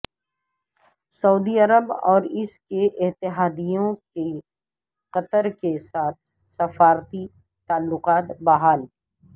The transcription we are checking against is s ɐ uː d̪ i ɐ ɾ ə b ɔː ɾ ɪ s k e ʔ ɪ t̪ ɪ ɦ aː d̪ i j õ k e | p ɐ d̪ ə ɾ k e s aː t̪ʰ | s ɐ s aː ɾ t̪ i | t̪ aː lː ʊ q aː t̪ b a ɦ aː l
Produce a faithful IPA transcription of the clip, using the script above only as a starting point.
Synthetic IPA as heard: s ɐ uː d̪ i ɐ ɾ ə b ɔː ɾ ɪ s k e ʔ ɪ t̪ ɪ ɦ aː d̪ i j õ k e | q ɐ t̪ ə ɾ k e s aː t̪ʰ | s ɐ f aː ɾ t̪ i | t̪ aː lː ʊ q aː t̪ b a ɦ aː l